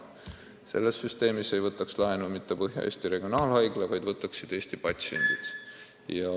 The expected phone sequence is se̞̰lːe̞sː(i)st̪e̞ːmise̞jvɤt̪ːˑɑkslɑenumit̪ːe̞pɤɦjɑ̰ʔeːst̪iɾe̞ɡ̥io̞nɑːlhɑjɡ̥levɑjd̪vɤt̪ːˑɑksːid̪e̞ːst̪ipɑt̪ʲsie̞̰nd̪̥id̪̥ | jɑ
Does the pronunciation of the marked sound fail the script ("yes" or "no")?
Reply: yes